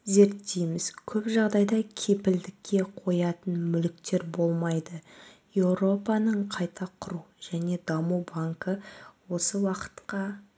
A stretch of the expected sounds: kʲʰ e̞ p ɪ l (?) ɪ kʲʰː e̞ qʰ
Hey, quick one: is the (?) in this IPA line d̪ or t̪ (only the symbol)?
d̪